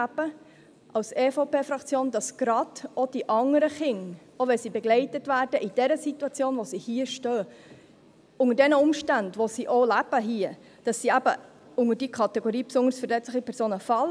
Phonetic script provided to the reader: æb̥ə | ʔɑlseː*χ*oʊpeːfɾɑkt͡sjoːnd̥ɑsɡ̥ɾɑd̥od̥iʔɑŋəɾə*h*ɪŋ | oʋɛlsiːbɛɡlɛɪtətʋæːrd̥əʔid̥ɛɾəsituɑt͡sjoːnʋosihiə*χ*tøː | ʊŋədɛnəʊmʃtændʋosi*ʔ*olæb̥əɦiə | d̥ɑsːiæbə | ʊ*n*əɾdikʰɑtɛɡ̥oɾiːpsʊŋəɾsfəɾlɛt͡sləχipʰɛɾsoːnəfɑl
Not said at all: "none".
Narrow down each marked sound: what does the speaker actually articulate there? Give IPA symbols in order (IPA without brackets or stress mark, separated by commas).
f, χ, ʃ, ʔ, ŋ